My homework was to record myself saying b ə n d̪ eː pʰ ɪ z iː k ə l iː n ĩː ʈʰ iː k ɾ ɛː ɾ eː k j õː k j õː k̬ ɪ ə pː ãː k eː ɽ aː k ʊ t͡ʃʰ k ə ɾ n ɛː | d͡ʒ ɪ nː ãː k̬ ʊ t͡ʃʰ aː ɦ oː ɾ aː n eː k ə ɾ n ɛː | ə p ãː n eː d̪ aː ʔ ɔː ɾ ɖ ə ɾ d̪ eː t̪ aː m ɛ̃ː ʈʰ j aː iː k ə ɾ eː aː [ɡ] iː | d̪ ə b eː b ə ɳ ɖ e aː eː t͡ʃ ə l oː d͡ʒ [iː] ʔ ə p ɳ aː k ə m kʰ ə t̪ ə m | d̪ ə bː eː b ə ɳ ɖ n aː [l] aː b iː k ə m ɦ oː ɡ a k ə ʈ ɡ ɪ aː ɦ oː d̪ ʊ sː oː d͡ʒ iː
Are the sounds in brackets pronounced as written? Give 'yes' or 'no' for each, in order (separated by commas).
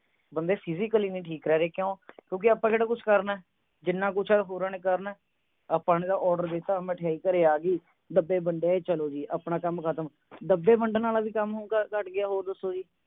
yes, yes, yes